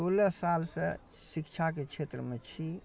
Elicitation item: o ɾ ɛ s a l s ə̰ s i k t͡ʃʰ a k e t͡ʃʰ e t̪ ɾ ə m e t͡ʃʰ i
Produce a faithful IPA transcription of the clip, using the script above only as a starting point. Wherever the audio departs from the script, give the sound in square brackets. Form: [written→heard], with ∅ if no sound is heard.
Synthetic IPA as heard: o [ɾ→l] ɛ s a l s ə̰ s i k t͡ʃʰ a k e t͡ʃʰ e t̪ ɾ ə m e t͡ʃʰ i

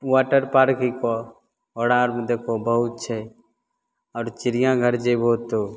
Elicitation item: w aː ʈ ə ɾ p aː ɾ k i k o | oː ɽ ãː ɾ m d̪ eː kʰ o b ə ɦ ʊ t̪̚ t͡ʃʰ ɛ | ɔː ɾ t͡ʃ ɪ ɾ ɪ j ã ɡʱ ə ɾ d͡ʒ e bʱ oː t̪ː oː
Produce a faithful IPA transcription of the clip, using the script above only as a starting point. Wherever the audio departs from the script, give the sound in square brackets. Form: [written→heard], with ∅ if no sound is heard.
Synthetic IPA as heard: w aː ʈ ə ɾ p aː ɾ k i k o | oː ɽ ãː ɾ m d̪ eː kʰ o b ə ɦ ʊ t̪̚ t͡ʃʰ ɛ | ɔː ɾ t͡ʃ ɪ ɾ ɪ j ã ɡʱ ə ɾ d͡ʒ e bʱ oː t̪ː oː

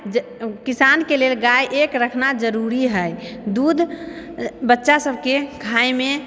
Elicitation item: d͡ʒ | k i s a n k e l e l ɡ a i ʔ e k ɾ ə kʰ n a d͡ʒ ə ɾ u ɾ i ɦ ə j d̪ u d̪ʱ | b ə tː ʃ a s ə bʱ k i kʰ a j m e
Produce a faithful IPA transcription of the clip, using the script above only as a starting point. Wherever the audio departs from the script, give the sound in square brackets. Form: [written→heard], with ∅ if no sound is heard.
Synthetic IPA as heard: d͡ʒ | k i s a n k e l e l ɡ a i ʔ e k ɾ ə kʰ n a d͡ʒ ə ɾ u ɾ i ɦ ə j d̪ u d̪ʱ | b ə tː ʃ a s ə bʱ k [i→e] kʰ a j m e

